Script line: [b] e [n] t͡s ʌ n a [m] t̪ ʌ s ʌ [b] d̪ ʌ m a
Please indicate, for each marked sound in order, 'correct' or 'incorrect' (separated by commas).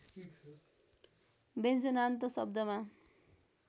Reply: correct, correct, incorrect, correct